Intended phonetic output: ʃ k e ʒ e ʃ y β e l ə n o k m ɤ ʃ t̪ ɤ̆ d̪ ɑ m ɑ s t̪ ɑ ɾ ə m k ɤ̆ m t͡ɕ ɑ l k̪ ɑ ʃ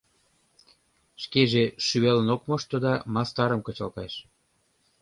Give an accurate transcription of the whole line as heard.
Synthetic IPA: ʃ k e ʒ e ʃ y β e l ə n o k m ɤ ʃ t̪ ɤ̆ d̪ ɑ m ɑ s t̪ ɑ ɾ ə m k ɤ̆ t͡ɕ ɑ l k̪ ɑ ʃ